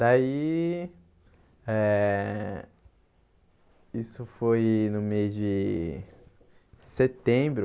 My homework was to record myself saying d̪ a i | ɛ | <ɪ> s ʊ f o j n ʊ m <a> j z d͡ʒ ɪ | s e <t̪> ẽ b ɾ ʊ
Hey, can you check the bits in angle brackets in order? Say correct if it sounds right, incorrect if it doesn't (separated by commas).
incorrect, incorrect, correct